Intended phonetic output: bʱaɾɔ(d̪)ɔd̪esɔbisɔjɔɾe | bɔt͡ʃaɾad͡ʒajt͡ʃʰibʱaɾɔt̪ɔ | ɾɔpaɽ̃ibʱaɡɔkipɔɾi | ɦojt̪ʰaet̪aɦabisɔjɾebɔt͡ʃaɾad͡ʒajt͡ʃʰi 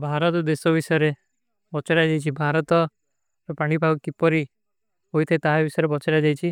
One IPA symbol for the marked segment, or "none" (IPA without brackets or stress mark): t̪